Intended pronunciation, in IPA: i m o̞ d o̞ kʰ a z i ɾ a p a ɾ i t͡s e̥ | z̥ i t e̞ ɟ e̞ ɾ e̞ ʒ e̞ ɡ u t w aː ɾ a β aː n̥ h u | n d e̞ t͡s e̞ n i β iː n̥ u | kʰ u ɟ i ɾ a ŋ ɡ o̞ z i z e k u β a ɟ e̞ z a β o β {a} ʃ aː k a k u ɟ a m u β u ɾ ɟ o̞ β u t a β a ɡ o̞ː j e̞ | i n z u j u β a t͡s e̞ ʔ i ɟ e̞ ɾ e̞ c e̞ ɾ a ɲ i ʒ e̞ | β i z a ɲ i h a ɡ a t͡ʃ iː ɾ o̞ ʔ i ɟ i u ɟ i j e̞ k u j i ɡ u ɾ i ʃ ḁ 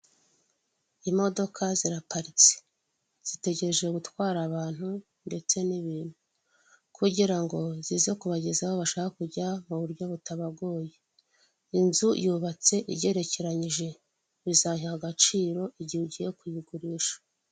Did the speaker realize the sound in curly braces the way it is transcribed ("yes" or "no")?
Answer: yes